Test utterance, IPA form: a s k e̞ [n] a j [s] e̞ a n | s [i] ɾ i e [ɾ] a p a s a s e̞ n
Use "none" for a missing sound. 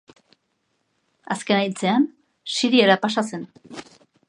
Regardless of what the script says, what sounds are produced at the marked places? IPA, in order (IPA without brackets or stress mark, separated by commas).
n, t͡s, i, ɾ